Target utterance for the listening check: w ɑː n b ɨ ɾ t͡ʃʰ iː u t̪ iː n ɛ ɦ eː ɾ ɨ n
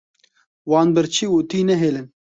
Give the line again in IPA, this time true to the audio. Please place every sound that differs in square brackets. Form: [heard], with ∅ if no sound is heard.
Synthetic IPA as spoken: w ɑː n b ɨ ɾ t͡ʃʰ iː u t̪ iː n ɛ ɦ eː [l] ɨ n